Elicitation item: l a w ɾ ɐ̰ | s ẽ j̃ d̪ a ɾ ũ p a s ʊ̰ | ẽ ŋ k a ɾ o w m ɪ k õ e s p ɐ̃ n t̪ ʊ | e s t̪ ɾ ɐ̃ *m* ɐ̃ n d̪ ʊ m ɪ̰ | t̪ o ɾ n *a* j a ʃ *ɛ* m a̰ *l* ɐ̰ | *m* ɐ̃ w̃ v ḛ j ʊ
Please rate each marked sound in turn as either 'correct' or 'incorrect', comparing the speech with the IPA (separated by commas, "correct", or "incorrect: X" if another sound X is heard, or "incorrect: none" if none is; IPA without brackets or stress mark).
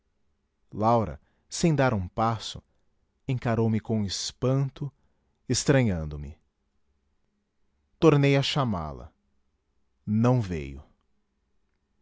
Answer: incorrect: ɲ, incorrect: e, incorrect: a, correct, incorrect: n